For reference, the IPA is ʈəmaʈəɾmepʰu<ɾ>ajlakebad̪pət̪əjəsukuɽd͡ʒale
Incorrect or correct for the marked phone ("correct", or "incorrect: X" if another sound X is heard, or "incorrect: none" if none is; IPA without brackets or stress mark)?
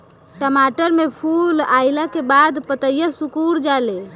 incorrect: l